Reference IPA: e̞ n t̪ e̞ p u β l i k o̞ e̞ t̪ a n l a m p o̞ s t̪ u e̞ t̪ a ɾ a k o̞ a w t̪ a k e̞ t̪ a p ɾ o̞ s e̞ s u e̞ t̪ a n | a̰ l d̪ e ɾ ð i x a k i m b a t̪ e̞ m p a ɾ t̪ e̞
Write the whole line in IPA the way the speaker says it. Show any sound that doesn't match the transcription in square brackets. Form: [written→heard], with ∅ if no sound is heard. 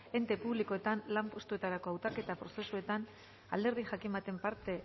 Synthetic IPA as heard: e̞ n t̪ e̞ p u β l i k o̞ e̞ t̪ a n l a m p o̞ s t̪ u e̞ t̪ a ɾ a k o̞ a w t̪ a k e̞ t̪ a p ɾ o̞ s e̞ s u e̞ t̪ a n | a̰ l d̪ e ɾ ð i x a k i m b a t̪ e̞ m p a ɾ t̪ e̞